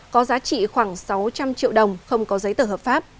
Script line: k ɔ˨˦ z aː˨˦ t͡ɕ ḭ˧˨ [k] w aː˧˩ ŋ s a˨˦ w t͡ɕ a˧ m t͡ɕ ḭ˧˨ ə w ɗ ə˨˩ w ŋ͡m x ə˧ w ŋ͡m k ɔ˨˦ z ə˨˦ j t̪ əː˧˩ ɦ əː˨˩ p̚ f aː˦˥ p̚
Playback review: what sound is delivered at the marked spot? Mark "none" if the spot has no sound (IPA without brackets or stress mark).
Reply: x